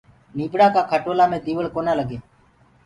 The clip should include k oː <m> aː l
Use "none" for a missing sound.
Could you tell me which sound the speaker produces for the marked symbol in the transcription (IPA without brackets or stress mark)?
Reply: n